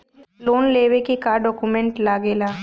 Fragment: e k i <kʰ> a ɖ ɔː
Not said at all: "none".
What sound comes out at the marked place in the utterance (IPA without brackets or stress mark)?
k